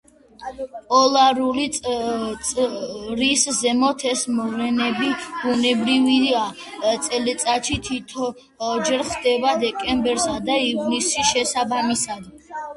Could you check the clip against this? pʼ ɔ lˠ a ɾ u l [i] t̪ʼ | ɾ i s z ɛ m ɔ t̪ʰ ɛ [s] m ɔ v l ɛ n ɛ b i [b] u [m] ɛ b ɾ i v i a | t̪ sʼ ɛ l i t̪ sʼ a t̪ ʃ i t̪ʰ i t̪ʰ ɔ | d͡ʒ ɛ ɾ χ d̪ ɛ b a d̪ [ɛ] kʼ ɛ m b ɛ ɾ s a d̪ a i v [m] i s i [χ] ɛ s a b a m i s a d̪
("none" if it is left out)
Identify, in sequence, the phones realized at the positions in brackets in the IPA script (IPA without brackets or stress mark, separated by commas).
i, s, b, n, ɛ, n, ʃ